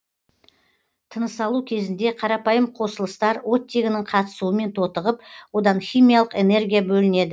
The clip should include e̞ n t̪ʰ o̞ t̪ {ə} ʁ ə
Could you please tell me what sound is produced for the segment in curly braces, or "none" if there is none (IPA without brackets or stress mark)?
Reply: ə